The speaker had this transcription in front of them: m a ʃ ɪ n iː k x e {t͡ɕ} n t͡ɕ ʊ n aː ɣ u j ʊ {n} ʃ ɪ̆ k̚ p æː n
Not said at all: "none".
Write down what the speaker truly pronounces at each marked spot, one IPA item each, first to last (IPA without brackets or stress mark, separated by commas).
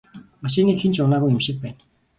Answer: none, m